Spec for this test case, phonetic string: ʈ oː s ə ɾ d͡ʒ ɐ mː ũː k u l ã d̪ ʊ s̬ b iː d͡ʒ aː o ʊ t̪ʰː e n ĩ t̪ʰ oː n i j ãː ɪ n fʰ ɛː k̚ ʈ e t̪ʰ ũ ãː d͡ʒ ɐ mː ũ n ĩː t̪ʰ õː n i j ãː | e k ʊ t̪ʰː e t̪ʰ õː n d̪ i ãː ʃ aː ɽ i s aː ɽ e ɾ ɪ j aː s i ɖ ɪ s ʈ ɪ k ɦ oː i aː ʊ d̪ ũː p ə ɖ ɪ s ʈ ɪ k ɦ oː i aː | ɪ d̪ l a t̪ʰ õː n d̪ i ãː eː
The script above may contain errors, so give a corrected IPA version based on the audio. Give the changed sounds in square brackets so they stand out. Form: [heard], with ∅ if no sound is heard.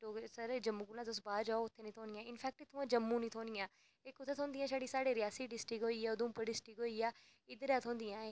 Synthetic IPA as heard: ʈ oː s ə ɾ d͡ʒ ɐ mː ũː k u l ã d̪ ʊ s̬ b [aː] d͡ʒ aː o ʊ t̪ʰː e n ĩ t̪ʰ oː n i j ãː ɪ n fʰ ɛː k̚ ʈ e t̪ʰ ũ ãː d͡ʒ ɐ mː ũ n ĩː t̪ʰ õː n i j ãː | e k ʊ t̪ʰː e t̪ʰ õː n d̪ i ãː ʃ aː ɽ i s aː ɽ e ɾ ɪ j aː s i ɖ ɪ s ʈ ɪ k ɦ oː i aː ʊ d̪ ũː p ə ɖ ɪ s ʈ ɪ k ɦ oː i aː | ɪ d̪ [ɾ] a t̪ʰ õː n d̪ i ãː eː